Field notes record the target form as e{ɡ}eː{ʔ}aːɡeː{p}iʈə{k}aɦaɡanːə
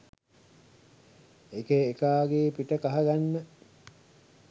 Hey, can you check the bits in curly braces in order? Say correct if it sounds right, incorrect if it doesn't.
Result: incorrect: k, incorrect: k, correct, correct

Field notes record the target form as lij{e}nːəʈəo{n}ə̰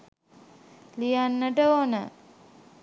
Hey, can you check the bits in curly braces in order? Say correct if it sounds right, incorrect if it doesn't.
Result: incorrect: a, correct

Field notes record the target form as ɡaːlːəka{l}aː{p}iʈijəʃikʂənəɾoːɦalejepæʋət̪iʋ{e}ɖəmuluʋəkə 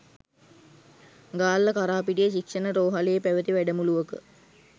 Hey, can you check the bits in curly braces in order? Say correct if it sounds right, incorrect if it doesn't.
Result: incorrect: ɾ, correct, incorrect: æ

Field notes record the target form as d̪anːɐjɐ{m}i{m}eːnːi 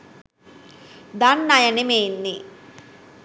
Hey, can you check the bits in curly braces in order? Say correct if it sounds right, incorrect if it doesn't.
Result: incorrect: n, correct

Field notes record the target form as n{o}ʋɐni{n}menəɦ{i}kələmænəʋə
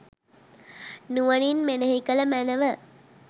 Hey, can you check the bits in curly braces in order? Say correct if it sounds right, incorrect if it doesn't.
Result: incorrect: u, correct, correct

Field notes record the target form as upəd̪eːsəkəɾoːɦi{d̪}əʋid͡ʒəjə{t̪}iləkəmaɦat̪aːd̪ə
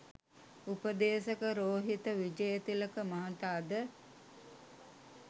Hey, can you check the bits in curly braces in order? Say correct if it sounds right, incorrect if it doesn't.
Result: incorrect: t̪, correct

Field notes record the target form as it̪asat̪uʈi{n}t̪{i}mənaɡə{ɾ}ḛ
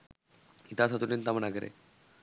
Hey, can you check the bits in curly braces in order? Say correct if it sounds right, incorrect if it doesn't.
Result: correct, incorrect: a, correct

